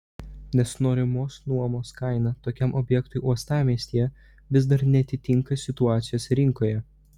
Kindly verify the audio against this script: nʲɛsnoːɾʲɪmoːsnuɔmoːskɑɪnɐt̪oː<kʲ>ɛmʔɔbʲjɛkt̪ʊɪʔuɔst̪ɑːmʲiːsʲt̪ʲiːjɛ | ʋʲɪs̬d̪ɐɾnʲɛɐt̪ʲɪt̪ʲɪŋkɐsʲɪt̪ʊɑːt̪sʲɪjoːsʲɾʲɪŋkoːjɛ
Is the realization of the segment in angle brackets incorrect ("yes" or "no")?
no